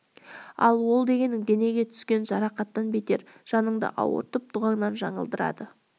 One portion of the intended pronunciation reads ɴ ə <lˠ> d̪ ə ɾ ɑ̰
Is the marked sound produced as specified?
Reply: yes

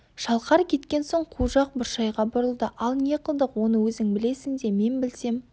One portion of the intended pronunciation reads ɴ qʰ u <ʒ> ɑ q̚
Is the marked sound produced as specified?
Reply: yes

